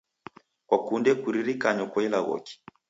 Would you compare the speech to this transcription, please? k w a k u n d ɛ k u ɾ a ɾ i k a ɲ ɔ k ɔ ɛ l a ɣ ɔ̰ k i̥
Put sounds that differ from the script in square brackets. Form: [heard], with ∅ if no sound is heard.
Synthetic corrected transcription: k w a k u n d ɛ k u ɾ [i] ɾ i k a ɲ ɔ k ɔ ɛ l a ɣ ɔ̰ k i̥